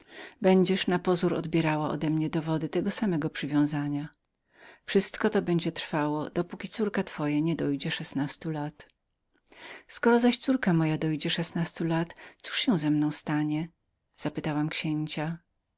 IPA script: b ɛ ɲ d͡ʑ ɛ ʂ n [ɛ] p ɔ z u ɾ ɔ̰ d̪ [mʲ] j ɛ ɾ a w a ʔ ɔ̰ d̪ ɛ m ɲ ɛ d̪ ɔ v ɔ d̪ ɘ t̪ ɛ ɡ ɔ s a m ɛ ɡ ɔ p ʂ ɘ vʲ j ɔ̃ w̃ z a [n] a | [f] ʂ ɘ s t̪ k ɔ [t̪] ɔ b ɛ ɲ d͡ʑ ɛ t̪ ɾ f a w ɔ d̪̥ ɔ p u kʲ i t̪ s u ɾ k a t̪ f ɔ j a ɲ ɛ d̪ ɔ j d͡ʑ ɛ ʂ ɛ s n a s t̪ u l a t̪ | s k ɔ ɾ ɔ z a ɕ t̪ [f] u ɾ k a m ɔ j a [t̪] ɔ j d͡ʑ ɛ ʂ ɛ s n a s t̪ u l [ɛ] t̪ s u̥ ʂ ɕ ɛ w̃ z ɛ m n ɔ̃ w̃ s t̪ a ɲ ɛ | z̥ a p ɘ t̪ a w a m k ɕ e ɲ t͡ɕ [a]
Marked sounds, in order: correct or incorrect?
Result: incorrect, incorrect, incorrect, correct, correct, incorrect, incorrect, incorrect, correct

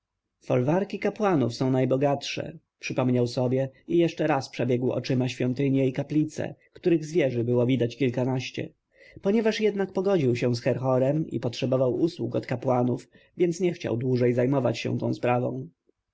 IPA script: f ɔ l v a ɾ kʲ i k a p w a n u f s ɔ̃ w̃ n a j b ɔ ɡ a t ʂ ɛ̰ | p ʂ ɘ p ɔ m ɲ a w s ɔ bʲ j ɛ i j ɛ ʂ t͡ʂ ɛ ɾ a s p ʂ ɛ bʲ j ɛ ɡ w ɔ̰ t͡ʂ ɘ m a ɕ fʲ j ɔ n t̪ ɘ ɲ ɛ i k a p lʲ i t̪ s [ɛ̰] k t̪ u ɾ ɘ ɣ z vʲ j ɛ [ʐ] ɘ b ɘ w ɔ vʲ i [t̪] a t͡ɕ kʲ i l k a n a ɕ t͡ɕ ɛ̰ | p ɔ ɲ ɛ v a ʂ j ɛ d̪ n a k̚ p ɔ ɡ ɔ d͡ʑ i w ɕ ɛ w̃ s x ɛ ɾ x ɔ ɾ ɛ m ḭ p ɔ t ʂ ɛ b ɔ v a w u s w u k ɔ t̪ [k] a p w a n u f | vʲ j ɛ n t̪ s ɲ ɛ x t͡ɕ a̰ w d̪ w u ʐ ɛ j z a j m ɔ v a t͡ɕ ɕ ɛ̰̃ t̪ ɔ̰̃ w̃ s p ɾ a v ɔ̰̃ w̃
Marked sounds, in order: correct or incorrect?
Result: correct, correct, incorrect, correct

